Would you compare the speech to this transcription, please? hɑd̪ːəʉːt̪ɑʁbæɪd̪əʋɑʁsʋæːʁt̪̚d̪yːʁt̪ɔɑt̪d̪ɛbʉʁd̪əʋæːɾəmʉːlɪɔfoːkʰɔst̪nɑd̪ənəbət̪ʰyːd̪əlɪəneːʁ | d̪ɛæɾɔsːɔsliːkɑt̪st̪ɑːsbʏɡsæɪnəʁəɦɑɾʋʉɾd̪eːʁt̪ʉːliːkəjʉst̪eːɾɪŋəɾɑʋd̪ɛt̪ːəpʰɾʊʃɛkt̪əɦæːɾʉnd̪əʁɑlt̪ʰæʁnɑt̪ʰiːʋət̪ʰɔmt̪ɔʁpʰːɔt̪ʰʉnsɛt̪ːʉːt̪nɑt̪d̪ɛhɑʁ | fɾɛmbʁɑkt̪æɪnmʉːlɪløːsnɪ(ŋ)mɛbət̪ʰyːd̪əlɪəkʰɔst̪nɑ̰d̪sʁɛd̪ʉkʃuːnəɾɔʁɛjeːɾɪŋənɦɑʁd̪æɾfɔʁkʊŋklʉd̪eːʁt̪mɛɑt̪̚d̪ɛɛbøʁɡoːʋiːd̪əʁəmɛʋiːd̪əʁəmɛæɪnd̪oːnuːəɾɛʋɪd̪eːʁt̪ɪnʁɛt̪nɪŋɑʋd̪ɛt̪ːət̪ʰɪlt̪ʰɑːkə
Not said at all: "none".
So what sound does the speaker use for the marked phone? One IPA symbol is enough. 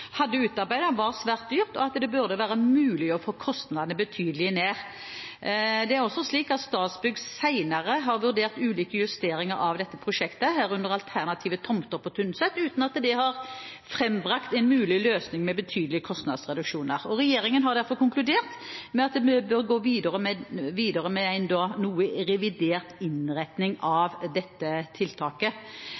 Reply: ŋ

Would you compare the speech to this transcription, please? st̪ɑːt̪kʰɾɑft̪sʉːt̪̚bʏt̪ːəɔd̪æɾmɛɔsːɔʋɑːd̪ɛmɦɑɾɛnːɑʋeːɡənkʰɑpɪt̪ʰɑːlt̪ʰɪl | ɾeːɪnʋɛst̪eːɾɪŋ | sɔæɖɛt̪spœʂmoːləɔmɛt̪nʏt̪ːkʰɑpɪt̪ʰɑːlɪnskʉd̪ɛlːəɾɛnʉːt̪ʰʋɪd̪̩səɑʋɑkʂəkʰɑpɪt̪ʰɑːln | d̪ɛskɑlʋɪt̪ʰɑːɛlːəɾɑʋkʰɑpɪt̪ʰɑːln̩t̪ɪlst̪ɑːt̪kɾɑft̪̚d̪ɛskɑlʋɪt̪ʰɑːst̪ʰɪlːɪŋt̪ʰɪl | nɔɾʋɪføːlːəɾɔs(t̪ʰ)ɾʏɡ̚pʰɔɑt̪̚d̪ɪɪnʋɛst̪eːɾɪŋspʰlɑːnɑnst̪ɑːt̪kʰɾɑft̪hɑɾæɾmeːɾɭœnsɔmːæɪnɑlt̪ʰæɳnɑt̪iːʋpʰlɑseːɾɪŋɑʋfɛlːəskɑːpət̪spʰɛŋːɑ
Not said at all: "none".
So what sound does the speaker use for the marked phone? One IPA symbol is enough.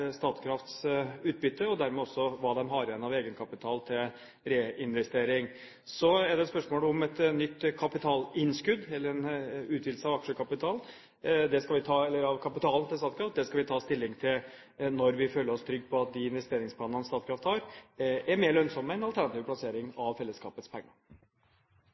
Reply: t̪ʰ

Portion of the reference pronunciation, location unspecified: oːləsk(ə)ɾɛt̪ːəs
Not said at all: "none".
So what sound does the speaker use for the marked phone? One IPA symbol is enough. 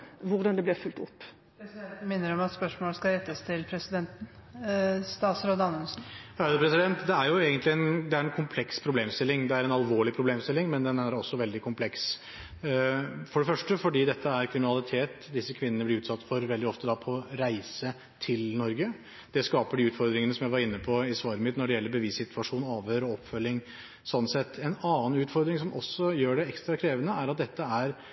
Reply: ɑ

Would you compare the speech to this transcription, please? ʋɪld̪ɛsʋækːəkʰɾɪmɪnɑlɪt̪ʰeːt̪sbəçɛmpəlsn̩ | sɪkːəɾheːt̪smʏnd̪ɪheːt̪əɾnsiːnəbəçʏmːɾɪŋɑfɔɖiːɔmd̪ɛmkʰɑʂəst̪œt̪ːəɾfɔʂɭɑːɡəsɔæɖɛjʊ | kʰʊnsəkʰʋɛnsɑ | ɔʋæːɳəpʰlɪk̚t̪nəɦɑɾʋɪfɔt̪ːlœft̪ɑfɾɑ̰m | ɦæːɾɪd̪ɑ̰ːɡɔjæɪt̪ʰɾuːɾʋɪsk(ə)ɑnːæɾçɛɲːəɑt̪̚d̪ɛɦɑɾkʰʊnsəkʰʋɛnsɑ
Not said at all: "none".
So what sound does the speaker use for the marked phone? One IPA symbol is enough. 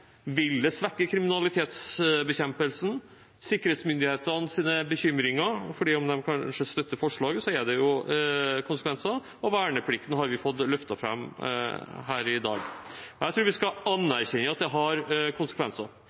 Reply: ɑ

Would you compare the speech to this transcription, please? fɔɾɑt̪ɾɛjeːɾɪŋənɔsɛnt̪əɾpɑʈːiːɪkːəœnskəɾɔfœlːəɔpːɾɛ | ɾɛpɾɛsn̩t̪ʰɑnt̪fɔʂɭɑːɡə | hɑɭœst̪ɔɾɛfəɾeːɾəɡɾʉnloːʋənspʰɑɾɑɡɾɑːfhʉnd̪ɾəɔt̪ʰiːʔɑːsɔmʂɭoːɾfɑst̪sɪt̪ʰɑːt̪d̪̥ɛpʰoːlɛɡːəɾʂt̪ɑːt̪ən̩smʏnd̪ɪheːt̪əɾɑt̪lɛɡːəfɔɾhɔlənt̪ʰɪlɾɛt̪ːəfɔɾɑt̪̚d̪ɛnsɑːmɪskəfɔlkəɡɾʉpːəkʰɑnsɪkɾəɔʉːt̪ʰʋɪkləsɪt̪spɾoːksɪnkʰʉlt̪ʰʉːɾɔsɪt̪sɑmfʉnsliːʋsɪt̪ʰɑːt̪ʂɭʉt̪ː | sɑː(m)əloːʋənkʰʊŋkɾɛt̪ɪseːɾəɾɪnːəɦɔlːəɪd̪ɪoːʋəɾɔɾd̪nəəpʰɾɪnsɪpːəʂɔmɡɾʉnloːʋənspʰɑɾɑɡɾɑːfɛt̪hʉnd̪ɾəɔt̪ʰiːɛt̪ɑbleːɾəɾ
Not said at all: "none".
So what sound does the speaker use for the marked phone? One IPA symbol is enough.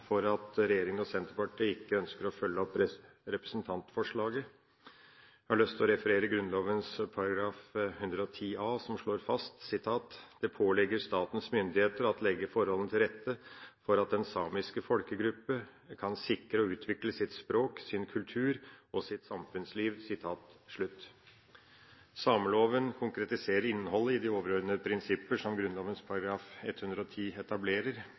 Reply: m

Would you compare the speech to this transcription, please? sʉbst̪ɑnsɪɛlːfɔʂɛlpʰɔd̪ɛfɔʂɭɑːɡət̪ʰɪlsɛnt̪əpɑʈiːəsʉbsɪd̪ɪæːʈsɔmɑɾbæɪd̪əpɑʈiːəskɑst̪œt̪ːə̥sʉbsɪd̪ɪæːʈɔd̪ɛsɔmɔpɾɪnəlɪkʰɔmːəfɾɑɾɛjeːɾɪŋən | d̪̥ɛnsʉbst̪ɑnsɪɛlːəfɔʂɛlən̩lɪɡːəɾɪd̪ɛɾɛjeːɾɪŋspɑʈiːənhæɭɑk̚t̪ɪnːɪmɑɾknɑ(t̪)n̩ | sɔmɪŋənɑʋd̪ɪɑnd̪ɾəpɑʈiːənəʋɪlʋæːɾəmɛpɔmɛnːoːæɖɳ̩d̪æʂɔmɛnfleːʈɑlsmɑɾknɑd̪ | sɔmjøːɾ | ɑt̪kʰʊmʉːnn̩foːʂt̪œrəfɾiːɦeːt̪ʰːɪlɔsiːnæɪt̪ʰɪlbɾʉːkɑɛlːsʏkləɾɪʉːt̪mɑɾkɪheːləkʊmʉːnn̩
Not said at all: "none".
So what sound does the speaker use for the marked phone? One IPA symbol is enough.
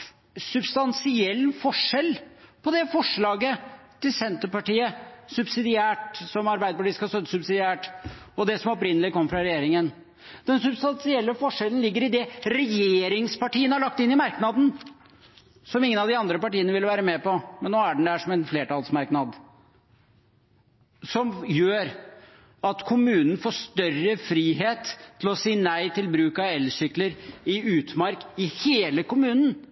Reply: d̪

